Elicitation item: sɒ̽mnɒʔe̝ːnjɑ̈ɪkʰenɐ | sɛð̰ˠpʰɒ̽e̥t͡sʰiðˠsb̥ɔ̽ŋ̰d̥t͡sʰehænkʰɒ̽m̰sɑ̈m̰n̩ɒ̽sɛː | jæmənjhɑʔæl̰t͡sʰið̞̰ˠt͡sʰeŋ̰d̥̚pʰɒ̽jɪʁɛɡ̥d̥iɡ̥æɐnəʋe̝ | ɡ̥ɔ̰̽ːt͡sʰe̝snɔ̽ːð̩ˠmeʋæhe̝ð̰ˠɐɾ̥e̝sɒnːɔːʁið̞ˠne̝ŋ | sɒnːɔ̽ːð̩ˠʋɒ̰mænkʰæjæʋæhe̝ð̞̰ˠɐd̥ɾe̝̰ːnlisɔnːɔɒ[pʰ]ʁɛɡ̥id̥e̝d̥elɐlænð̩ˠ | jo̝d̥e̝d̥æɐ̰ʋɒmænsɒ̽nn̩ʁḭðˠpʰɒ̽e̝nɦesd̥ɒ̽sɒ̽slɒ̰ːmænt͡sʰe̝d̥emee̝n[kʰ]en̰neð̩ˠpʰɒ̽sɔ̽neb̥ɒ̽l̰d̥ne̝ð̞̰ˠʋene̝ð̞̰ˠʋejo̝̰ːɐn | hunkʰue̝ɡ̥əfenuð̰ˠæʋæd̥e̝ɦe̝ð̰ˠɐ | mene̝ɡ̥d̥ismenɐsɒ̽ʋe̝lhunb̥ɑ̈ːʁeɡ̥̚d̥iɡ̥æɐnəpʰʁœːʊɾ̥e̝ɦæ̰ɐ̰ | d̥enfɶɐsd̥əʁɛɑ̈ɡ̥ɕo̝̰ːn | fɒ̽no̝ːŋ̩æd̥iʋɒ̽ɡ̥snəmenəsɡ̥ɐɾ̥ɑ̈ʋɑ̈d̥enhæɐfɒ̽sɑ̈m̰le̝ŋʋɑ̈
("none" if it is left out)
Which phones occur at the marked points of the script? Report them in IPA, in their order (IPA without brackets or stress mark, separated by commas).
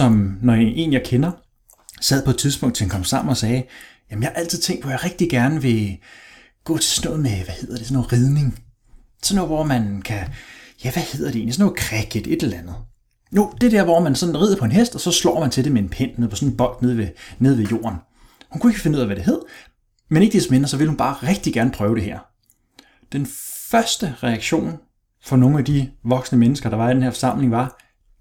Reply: kʰ, pʰ